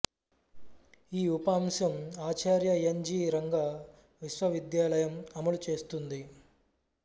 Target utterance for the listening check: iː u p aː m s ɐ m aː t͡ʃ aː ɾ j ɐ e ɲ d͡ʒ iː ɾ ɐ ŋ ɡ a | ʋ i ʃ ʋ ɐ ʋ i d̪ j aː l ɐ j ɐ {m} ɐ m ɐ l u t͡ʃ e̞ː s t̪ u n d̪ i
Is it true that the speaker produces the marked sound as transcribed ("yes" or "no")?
yes